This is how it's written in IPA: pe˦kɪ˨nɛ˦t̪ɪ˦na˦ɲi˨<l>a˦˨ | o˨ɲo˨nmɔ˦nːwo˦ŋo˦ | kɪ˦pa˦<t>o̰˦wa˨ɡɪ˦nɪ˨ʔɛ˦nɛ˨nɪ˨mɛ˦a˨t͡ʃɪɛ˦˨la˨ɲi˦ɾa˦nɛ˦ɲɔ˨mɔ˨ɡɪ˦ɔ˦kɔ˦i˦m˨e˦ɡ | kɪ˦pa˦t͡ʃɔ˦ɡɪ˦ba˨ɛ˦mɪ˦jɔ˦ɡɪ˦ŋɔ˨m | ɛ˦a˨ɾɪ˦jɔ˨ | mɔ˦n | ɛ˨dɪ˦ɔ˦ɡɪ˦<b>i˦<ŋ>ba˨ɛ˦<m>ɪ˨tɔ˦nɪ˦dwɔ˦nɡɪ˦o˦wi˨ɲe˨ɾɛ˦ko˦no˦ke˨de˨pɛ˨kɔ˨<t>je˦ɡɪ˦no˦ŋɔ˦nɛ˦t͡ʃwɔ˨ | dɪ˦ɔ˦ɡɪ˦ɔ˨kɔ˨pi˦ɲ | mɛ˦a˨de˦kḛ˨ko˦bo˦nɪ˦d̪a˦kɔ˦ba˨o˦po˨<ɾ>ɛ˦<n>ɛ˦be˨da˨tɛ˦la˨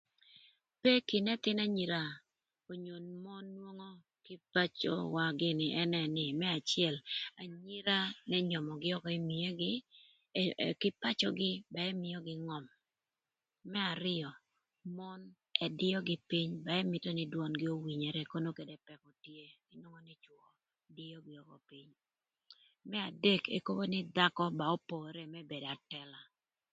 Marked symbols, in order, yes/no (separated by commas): no, no, no, no, yes, yes, yes, no